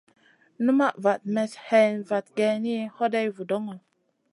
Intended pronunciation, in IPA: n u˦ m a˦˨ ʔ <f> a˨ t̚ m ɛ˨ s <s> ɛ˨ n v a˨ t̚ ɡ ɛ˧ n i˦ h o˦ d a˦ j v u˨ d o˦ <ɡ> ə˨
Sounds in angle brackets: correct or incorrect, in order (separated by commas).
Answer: incorrect, incorrect, incorrect